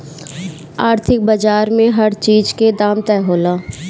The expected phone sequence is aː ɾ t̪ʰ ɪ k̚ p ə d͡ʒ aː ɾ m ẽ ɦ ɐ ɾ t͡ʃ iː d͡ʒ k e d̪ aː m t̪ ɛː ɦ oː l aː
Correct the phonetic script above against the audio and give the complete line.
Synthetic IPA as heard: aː ɾ t̪ʰ ɪ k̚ b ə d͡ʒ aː ɾ m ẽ ɦ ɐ ɾ t͡ʃ iː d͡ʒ k e d̪ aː m t̪ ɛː ɦ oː l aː